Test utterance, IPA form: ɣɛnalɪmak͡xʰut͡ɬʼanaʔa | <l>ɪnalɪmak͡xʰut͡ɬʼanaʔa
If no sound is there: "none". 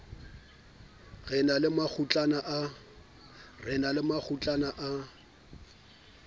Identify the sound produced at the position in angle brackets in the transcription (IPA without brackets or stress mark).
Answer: r